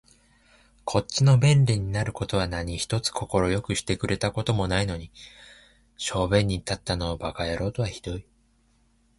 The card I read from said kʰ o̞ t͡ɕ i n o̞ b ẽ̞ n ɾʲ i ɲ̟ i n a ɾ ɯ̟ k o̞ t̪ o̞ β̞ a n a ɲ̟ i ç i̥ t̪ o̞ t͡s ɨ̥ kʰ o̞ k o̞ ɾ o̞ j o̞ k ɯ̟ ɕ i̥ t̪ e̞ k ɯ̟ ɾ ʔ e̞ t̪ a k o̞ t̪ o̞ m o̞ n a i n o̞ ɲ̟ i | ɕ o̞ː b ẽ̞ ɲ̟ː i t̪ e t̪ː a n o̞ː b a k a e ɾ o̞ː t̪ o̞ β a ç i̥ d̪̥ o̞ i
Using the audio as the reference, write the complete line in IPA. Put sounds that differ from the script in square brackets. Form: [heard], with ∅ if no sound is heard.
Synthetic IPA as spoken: kʰ o̞ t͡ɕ i n o̞ b ẽ̞ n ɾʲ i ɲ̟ i n a ɾ ɯ̟ k o̞ t̪ o̞ β̞ a n a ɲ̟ i ç i̥ t̪ o̞ t͡s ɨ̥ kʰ o̞ k o̞ ɾ o̞ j o̞ k ɯ̟ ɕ i̥ t̪ e̞ k ɯ̟ ɾ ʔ e̞ t̪ a k o̞ t̪ o̞ m o̞ n a i n o̞ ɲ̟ i | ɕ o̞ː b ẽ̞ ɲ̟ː i t̪ [a] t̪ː a n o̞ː b a k a e ɾ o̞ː t̪ o̞ β a ç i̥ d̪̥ o̞ i